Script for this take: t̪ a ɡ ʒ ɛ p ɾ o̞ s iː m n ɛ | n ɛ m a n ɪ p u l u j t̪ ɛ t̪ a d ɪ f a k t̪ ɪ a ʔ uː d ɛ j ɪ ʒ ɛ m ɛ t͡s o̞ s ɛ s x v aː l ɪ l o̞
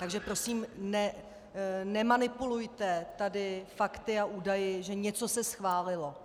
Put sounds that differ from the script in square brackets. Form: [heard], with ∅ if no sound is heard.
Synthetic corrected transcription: t̪ a ɡ ʒ ɛ p ɾ o̞ s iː m n ɛ | n ɛ m a n ɪ p u l u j t̪ ɛ t̪ a d ɪ f a k t̪ ɪ a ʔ uː d [a] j ɪ ʒ ɛ [ɲ] ɛ t͡s o̞ s ɛ s x v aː l ɪ l o̞